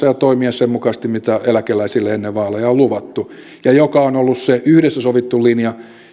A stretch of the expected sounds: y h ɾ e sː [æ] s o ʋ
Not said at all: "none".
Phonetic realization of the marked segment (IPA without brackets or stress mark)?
æ